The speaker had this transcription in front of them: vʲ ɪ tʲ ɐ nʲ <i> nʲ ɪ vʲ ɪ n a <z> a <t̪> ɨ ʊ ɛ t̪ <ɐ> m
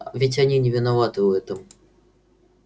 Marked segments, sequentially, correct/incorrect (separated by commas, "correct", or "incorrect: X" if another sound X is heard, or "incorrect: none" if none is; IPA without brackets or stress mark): correct, incorrect: v, correct, incorrect: ə